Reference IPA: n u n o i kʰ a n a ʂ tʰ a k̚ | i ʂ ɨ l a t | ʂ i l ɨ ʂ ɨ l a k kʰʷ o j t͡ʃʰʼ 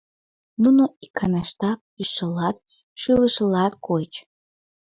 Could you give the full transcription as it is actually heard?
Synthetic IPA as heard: n u n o i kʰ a n a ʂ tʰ a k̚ | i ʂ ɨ l a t | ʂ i l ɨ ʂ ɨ l a t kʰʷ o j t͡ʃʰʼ